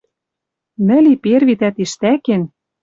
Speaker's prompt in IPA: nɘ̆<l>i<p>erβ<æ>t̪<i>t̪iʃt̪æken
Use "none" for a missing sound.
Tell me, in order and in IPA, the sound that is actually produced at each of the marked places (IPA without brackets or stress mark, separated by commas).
l, p, i, æ